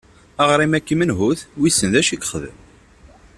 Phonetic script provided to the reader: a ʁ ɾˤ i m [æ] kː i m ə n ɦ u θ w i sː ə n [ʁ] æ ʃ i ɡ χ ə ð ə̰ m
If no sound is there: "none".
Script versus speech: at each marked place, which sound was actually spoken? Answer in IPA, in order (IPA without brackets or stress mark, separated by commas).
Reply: æ, ð